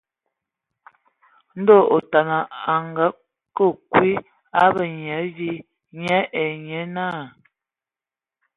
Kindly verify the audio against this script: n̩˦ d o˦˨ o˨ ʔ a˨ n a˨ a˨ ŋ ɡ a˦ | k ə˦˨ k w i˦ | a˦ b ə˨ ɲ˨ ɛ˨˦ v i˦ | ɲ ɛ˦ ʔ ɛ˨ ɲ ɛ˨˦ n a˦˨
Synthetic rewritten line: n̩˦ d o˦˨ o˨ t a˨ n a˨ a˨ ŋ ɡ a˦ | k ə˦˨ k w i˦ | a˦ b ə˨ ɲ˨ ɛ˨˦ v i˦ | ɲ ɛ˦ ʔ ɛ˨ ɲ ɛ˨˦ n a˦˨